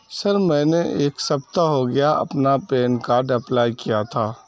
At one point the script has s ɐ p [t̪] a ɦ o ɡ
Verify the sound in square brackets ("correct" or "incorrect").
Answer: correct